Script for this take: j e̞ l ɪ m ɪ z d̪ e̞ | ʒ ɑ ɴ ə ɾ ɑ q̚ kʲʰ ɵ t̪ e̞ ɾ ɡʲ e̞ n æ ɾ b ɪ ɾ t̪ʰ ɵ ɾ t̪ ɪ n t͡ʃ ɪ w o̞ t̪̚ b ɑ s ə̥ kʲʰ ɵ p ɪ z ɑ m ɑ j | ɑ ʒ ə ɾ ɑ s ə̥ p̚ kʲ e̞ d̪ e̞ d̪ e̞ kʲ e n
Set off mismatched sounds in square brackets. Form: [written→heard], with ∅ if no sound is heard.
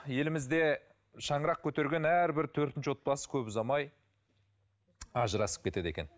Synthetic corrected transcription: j e̞ l ɪ m ɪ z d̪ e̞ | [ʒ→ʃ] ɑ ɴ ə ɾ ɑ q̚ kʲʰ ɵ t̪ e̞ ɾ ɡʲ e̞ n æ ɾ b ɪ ɾ t̪ʰ ɵ ɾ t̪ ɪ n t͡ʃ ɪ w o̞ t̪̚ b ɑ s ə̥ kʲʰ ɵ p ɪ z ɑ m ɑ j | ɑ ʒ ə ɾ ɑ s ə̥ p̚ kʲ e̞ [d̪→t̪] e̞ d̪ e̞ kʲ e n

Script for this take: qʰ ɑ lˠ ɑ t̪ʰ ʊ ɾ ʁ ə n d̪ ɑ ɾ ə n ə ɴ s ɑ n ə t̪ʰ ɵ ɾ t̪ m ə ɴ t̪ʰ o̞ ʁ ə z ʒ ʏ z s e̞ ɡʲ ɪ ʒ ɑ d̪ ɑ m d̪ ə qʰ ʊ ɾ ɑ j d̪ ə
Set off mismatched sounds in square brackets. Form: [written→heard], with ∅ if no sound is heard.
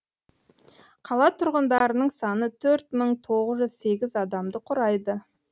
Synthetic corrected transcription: qʰ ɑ lˠ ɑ t̪ʰ ʊ ɾ ʁ ə n d̪ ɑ ɾ ə n ə ɴ s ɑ n ə t̪ʰ ɵ ɾ t̪ m ə ɴ t̪ʰ o̞ ʁ ə z ʒ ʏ z s e̞ ɡʲ ɪ [ʒ→z] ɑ d̪ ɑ m d̪ ə qʰ ʊ ɾ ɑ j d̪ ə

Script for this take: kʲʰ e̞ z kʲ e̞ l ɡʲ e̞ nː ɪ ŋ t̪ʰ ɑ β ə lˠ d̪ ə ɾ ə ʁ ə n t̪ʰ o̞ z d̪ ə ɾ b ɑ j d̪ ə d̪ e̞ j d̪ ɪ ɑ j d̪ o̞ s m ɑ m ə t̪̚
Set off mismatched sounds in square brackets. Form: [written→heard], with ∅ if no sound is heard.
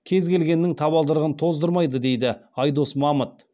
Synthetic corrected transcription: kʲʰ e̞ z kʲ e̞ l ɡʲ e̞ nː ɪ ŋ t̪ʰ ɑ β [ə→ɑ] lˠ d̪ ə ɾ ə ʁ ə n t̪ʰ o̞ z d̪ ə ɾ [b→m] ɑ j d̪ ə d̪ e̞ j d̪ ɪ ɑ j d̪ o̞ s m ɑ m ə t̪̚

